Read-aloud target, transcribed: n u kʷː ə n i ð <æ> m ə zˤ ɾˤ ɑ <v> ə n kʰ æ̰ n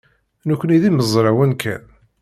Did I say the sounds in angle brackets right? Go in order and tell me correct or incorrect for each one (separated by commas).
incorrect, incorrect